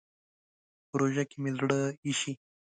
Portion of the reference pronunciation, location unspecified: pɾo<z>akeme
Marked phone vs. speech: incorrect: ʒ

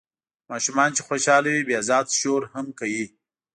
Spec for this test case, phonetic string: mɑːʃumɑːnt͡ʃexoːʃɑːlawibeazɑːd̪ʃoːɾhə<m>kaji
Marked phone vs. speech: correct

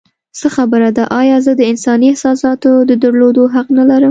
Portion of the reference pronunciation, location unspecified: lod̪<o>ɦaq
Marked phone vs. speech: correct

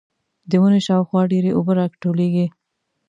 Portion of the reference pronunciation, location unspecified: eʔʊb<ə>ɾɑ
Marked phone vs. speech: correct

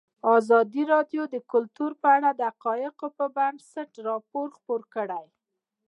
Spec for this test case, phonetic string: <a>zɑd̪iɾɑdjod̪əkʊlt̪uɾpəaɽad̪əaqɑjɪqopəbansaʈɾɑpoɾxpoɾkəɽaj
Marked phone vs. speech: incorrect: ɑ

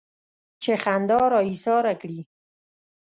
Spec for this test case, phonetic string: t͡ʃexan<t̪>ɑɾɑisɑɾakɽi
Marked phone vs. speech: incorrect: d̪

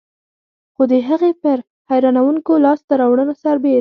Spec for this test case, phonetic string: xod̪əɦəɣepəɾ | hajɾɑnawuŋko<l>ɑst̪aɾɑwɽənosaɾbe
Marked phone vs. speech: correct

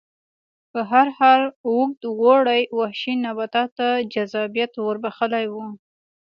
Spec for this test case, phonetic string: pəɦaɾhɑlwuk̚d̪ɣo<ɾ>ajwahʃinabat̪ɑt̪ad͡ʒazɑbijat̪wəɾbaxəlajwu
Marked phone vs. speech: incorrect: ɽ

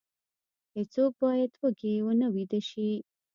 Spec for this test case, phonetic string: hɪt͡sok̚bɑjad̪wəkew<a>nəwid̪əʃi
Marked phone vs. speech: incorrect: ə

